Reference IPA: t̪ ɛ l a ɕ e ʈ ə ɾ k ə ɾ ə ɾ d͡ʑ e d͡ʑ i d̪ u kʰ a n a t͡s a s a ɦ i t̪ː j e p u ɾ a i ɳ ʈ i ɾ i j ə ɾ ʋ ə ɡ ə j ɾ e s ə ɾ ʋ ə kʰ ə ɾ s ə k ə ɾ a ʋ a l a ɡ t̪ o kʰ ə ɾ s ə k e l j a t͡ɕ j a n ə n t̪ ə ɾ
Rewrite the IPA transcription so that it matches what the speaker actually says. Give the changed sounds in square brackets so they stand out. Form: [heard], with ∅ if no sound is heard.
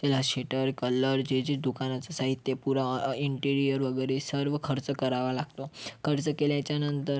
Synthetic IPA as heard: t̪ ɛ l a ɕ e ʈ ə ɾ k ə [l] ə ɾ d͡ʑ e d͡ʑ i d̪ u [k] a n a t͡s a s a ɦ i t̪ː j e p u ɾ a i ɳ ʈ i ɾ i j ə ɾ ʋ ə ɡ ə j ɾ e s ə ɾ ʋ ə kʰ ə ɾ [t͡s] ə k ə ɾ a ʋ a l a ɡ t̪ o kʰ ə ɾ [t͡s] ə k e l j a t͡ɕ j a n ə n t̪ ə ɾ